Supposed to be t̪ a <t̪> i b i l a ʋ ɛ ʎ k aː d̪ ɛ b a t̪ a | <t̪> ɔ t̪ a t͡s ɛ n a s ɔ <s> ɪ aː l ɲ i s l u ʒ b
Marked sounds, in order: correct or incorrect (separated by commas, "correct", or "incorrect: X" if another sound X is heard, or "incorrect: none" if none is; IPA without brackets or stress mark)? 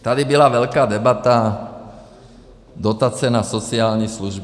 incorrect: d̪, incorrect: d̪, incorrect: t͡s